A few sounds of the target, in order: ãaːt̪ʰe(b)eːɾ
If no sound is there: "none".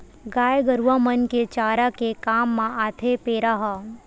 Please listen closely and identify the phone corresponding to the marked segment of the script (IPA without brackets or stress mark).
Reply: p